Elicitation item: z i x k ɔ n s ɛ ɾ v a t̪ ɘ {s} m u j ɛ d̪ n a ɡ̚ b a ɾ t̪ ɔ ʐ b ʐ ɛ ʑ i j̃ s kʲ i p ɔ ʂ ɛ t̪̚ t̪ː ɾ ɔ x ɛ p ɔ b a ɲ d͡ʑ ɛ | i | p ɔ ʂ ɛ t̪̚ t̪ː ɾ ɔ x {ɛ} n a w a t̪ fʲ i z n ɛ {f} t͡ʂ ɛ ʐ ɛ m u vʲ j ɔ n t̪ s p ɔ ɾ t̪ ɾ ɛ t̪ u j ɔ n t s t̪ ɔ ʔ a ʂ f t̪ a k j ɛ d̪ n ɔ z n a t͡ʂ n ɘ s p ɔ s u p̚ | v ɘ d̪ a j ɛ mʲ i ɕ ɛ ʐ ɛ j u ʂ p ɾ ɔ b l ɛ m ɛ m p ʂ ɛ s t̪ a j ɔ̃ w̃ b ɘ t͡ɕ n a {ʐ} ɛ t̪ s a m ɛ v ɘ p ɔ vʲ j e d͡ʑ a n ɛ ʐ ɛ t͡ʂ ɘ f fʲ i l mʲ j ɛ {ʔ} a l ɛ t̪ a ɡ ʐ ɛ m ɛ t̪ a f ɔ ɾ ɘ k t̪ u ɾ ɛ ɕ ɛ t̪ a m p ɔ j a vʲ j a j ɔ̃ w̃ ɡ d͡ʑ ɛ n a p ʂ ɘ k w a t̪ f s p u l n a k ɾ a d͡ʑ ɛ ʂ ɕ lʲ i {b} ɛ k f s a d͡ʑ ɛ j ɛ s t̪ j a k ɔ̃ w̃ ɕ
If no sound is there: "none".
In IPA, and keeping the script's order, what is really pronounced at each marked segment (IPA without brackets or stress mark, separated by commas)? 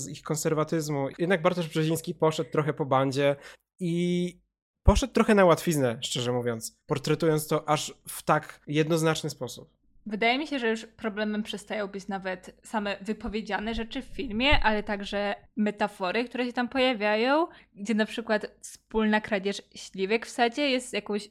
z, ɛ, ʂ, v, ʔ, v